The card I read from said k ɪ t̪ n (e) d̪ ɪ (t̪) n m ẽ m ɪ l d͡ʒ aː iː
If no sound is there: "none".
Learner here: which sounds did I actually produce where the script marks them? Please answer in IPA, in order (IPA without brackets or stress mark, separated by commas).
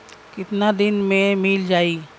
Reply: a, none